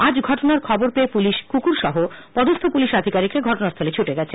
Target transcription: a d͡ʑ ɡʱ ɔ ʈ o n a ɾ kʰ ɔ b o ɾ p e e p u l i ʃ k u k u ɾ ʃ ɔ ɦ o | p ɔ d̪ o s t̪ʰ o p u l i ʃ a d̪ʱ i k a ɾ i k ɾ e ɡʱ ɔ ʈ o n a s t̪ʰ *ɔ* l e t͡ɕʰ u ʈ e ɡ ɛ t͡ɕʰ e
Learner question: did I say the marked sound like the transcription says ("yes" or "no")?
no